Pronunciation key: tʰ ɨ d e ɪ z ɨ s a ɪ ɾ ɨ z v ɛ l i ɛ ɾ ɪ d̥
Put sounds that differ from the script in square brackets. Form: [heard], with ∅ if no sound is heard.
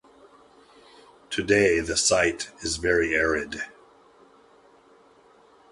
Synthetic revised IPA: tʰ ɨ d e ɪ [ð] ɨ s a ɪ ɾ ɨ z v ɛ [ɹ] i ɛ [ɹ] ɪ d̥